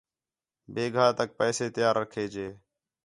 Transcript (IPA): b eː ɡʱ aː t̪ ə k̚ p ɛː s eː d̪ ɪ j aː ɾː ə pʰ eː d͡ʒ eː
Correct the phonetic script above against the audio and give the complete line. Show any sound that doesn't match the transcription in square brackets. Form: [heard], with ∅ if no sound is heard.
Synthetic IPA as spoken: b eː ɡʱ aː t̪ ə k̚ p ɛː s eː [t̪] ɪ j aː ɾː ə [kʰ] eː d͡ʒ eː